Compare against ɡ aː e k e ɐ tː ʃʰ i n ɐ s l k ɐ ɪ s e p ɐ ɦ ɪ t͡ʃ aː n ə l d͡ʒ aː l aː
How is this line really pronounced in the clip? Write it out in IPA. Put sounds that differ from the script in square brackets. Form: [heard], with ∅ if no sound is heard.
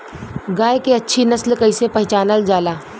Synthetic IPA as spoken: ɡ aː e k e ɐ tː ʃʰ i n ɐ s l k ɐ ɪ s e p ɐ ɦ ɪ t͡ʃ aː n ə l d͡ʒ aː l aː